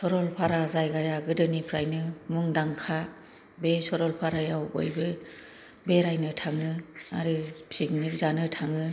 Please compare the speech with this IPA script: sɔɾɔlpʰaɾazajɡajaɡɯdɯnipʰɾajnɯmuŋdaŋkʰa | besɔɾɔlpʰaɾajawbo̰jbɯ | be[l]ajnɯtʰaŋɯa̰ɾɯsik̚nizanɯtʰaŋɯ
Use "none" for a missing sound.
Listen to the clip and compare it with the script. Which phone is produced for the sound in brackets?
ɾ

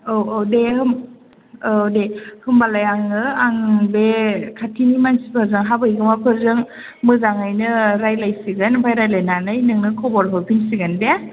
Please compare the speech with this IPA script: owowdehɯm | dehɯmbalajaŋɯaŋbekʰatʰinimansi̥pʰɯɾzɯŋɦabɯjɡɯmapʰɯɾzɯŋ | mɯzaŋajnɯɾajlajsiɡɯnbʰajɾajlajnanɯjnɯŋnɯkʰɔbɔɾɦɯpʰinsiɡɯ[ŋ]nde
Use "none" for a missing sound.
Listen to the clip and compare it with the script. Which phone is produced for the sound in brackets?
none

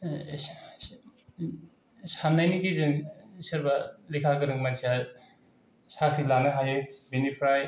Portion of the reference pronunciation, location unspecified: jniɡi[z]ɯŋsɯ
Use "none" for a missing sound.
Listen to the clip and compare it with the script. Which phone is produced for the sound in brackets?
z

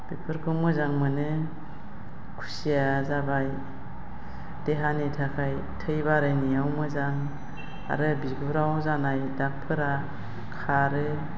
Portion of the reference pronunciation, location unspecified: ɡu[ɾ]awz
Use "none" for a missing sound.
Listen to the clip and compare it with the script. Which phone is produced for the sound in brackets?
ɾ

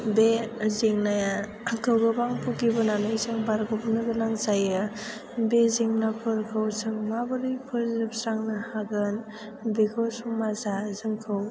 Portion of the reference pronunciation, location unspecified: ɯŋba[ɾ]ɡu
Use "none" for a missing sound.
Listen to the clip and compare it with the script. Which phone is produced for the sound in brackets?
ɾ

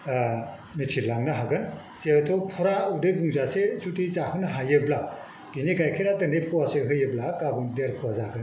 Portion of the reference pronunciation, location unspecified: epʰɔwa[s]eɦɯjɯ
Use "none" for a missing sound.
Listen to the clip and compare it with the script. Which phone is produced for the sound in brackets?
s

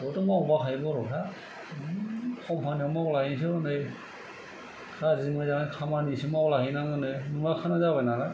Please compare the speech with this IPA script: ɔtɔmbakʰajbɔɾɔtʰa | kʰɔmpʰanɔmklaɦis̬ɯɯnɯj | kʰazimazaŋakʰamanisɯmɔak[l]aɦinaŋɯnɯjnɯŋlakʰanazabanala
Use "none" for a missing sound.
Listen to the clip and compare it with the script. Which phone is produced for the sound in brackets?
l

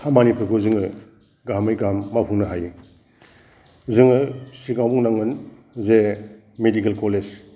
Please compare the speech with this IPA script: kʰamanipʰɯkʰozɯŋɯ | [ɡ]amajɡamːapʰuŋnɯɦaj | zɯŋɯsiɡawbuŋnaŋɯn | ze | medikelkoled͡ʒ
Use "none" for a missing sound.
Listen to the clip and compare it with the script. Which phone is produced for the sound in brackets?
ɡ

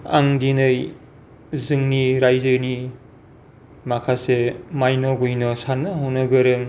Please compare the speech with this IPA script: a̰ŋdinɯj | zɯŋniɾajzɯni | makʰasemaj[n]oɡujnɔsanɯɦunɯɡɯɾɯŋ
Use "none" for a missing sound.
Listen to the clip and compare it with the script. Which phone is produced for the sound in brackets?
n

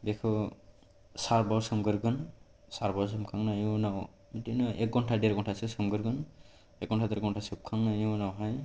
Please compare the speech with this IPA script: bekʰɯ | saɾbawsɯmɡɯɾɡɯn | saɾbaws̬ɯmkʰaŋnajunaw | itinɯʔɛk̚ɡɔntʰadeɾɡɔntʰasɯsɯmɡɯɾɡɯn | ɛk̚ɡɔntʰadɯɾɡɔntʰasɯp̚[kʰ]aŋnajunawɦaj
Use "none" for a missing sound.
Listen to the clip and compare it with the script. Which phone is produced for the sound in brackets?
kʰ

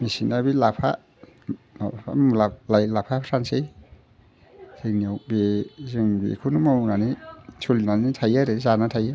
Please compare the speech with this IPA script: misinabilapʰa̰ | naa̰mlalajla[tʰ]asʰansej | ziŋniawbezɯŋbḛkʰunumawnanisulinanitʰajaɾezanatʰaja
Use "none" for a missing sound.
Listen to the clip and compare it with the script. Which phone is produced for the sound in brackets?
pʰ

